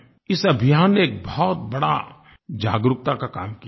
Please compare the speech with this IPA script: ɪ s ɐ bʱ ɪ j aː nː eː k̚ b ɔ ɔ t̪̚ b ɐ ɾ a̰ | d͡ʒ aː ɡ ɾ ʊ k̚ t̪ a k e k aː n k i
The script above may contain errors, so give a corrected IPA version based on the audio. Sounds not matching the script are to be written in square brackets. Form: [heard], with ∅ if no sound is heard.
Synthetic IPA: ɪ s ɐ bʱ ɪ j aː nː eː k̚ b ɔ ɔ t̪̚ b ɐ [ɽ] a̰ | d͡ʒ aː ɡ ɾ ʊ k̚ t̪ a k [a] k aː [m] k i